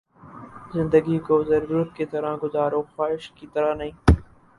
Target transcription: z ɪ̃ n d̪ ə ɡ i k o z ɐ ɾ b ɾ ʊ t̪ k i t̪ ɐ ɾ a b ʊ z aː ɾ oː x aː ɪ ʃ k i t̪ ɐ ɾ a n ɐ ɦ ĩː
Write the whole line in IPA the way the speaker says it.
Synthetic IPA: z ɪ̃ n d̪ ə ɡ i k o z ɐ ɾ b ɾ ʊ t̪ k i t̪ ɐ ɾ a ɡ ʊ z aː ɾ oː x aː ɪ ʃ k i t̪ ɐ ɾ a n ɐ ɦ ĩː